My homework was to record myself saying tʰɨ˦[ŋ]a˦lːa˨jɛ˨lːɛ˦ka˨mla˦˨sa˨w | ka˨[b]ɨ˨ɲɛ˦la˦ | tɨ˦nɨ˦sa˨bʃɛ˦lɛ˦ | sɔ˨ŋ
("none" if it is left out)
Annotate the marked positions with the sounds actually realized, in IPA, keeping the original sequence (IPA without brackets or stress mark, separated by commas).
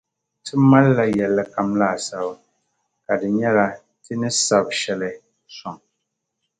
m, d